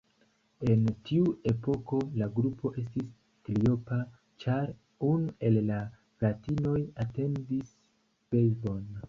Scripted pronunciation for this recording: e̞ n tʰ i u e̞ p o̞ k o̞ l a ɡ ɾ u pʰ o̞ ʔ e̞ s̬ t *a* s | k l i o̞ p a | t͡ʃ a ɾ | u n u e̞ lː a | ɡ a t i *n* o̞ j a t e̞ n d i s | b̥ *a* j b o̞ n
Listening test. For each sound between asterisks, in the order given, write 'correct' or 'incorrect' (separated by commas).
incorrect, correct, incorrect